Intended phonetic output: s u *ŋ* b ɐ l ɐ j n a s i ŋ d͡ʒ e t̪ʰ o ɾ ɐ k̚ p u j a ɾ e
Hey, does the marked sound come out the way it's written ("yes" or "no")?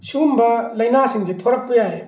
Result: no